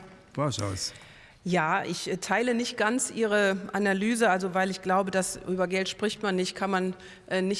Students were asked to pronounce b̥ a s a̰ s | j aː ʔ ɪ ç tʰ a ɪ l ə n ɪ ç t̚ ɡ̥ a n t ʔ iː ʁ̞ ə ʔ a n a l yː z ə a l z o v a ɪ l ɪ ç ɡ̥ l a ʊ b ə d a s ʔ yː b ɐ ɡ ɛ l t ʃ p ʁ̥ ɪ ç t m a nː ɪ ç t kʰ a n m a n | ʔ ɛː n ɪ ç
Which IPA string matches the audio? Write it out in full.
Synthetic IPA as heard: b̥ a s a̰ s | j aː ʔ ɪ ç tʰ a ɪ l ə n ɪ ç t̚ ɡ̥ a n t͡s ʔ iː ʁ̞ ə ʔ a n a l yː z ə a l z o v a ɪ l ɪ ç ɡ̥ l a ʊ b ə d a s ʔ yː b ɐ ɡ ɛ l t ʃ p ʁ̥ ɪ ç t m a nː ɪ ç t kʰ a n m a n | ʔ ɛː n ɪ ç